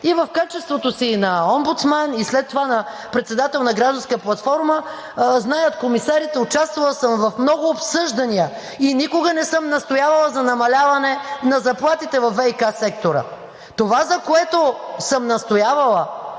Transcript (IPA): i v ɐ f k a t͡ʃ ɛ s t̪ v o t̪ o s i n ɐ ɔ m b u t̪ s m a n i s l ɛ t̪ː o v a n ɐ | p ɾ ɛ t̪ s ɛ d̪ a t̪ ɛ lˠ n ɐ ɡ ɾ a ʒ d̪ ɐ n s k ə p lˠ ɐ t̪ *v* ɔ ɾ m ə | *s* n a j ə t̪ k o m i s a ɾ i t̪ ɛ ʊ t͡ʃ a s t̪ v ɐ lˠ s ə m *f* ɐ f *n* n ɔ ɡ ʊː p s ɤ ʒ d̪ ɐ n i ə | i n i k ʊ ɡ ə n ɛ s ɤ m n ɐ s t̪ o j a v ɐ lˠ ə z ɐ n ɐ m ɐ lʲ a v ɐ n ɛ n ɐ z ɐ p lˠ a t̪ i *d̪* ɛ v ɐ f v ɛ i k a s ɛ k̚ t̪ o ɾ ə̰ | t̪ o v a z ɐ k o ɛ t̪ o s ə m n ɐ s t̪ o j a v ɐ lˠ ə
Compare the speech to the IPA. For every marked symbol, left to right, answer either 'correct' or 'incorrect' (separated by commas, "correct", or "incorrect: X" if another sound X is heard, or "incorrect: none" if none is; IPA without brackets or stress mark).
incorrect: f, incorrect: z, incorrect: v, incorrect: m, incorrect: t̪